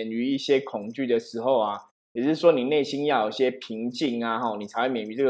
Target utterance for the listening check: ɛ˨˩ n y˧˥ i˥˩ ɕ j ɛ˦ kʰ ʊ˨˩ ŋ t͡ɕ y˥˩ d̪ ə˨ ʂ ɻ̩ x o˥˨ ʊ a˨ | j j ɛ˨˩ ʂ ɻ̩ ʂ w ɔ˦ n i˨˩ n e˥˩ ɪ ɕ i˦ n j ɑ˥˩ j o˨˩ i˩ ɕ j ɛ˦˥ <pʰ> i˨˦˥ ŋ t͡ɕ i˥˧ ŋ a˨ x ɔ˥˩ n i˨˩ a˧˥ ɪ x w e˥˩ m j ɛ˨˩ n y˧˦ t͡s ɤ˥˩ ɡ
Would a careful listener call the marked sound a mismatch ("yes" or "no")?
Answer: no